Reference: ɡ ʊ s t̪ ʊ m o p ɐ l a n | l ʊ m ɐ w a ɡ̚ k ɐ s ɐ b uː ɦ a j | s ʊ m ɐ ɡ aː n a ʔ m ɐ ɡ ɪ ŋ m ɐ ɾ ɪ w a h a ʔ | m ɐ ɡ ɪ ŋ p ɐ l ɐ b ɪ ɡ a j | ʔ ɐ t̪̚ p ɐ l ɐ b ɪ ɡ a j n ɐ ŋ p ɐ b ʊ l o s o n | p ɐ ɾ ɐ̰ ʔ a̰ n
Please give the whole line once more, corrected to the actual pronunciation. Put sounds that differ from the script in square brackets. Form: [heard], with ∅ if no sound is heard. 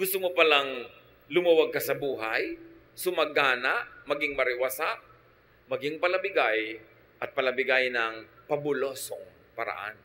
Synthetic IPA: ɡ ʊ s t̪ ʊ m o p ɐ l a [ŋ] | l ʊ m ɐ w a ɡ̚ k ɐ s ɐ b uː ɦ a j | s ʊ m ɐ ɡ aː n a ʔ m ɐ ɡ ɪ ŋ m ɐ ɾ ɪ w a [s] a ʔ | m ɐ ɡ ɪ ŋ p ɐ l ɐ b ɪ ɡ a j | ʔ ɐ t̪̚ p ɐ l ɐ b ɪ ɡ a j n ɐ ŋ p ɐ b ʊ l o s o [ŋ] | p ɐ ɾ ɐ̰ ʔ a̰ n

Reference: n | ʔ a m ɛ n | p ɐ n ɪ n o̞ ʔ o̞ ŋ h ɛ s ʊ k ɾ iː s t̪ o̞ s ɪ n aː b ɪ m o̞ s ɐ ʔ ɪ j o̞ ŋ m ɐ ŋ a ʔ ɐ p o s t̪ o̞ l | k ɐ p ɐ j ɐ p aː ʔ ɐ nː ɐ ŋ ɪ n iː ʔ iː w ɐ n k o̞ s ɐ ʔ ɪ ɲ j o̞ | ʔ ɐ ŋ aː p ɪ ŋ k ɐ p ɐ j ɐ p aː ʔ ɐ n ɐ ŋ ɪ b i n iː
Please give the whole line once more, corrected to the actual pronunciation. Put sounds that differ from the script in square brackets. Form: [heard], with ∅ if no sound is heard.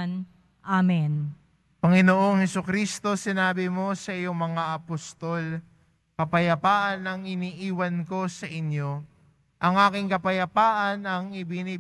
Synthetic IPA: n | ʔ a m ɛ n | p ɐ [ŋ] ɪ n o̞ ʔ o̞ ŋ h ɛ s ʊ k ɾ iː s t̪ o̞ s ɪ n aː b ɪ m o̞ s ɐ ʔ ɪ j o̞ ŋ m ɐ ŋ a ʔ ɐ p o s t̪ o̞ l | k ɐ p ɐ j ɐ p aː ʔ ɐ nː ɐ ŋ ɪ n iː ʔ iː w ɐ n k o̞ s ɐ ʔ ɪ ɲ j o̞ | ʔ ɐ ŋ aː [k] ɪ ŋ k ɐ p ɐ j ɐ p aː ʔ ɐ n ɐ ŋ ɪ b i n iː

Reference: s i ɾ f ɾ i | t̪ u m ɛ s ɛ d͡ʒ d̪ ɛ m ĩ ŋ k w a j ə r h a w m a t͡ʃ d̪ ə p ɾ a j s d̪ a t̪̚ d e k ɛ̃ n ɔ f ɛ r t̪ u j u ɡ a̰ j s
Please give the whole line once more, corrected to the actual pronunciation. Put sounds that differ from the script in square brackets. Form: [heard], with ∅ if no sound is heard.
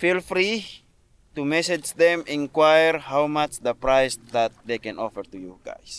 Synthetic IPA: [f] i [l] f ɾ i | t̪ u m ɛ s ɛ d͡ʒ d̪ ɛ m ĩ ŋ k w a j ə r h a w m a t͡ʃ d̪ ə p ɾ a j s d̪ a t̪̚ d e k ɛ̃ n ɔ f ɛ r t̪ u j u ɡ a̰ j s

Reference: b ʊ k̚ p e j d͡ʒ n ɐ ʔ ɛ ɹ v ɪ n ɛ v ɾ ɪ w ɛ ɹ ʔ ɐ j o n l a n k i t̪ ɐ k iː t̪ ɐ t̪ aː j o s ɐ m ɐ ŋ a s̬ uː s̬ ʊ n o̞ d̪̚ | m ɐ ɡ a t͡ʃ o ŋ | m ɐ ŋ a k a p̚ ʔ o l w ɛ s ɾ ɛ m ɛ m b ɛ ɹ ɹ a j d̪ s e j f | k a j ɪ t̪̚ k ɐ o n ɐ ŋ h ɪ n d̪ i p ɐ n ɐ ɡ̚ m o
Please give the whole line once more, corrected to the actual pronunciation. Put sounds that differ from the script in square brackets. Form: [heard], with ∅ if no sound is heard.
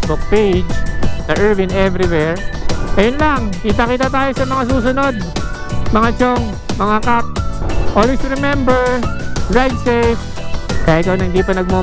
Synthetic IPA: b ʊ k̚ p e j d͡ʒ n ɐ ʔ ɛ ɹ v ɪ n ɛ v ɾ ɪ w ɛ ɹ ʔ ɐ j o n l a [ŋ] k i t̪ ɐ k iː t̪ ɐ t̪ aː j o s ɐ m ɐ ŋ a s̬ uː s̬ ʊ n o̞ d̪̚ | m ɐ [ŋ] a t͡ʃ o ŋ | m ɐ ŋ a k a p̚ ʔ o l w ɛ s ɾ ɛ m ɛ m b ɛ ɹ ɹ a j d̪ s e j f | k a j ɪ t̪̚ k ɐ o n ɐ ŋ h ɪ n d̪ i p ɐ n ɐ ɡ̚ m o

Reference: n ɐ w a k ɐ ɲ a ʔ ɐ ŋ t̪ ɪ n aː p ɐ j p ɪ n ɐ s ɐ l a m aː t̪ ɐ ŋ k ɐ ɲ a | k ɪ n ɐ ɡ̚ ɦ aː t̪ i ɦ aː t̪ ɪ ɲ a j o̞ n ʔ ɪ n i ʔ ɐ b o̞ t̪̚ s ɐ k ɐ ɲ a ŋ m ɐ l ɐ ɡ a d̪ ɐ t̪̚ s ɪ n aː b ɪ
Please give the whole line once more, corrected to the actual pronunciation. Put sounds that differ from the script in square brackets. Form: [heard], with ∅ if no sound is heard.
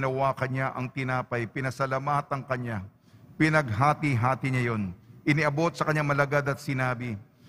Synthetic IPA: n ɐ w a k ɐ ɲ a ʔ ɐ ŋ t̪ ɪ n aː p ɐ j p ɪ n ɐ s ɐ l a m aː t̪ ɐ ŋ k ɐ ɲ a | [p] ɪ n ɐ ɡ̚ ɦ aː t̪ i ɦ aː t̪ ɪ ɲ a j o̞ n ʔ ɪ n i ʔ ɐ b o̞ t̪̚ s ɐ k ɐ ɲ a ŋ m ɐ l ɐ ɡ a d̪ ɐ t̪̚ s ɪ n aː b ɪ

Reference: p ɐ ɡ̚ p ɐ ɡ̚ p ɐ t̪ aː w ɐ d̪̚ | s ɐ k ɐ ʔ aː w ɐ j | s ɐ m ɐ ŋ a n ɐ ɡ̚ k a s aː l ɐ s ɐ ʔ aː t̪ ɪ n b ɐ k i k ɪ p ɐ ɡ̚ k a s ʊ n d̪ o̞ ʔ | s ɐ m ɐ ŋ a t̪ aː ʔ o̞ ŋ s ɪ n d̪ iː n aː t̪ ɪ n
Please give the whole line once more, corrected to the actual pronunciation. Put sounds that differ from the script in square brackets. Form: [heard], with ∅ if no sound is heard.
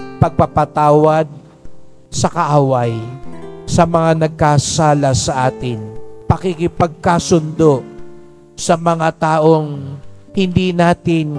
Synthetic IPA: p ɐ ɡ̚ p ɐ ɡ̚ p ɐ t̪ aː w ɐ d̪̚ | s ɐ k ɐ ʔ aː w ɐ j | s ɐ m ɐ ŋ a n ɐ ɡ̚ k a s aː l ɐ s ɐ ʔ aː t̪ ɪ n [p] ɐ k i k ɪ p ɐ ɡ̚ k a s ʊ n d̪ o̞ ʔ | s ɐ m ɐ ŋ a t̪ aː ʔ o̞ ŋ [h] ɪ n d̪ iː n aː t̪ ɪ n

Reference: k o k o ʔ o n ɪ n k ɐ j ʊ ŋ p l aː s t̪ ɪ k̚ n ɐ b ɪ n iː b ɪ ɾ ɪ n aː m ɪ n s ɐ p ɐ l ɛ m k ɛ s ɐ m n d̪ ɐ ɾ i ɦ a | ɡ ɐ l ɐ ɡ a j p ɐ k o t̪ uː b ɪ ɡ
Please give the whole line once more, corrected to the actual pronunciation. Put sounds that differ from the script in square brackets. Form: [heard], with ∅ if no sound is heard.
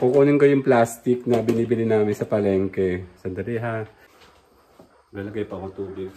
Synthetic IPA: k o k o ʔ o n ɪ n k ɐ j ʊ ŋ p l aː s t̪ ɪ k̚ n ɐ b ɪ n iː b ɪ [l] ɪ n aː m ɪ n s ɐ p ɐ l ɛ [ŋ] k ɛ s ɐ [∅] n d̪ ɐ ɾ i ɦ a | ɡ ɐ l ɐ ɡ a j p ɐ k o t̪ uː b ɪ ɡ

